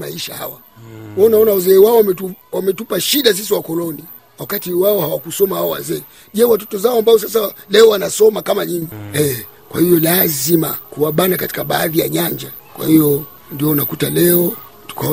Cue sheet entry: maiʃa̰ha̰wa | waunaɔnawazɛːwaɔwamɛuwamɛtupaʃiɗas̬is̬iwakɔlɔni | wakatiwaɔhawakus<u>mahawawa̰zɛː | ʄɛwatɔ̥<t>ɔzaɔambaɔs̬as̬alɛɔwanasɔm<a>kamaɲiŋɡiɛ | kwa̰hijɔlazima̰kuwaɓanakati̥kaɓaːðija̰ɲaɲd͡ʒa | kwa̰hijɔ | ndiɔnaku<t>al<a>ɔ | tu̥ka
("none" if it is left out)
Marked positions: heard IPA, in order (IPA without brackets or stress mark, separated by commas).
ɔ, t, a, t, ɛ